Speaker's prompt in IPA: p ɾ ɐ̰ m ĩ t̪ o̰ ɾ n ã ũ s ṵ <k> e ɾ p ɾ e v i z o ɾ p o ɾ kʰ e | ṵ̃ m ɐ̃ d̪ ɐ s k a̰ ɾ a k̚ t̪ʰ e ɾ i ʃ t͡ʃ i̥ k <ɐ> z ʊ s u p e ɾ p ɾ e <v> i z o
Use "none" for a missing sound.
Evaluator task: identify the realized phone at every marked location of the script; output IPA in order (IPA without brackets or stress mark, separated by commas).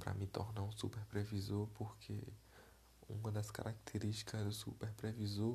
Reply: p, ɐ, v